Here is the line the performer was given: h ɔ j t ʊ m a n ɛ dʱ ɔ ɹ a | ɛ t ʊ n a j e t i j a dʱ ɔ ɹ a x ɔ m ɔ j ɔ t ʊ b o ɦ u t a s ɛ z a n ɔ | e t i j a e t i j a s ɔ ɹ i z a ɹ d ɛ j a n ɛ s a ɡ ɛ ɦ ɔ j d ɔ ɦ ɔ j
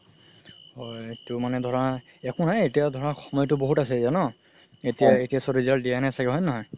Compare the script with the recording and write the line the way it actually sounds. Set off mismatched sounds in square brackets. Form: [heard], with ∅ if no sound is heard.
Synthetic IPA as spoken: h ɔ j t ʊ m a n ɛ dʱ ɔ ɹ a | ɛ [k] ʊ n a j e t i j a dʱ ɔ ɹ a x ɔ m ɔ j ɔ t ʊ b o ɦ u t a s ɛ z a n ɔ | e t i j a e t i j a s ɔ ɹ i z a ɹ d [i] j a n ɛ s a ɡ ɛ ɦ ɔ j [n] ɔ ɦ ɔ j